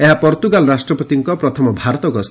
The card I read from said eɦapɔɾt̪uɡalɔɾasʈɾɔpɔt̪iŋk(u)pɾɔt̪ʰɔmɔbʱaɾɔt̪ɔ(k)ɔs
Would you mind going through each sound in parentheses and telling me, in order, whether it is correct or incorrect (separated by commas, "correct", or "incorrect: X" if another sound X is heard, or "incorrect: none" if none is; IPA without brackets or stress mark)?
incorrect: ɔ, incorrect: ɡ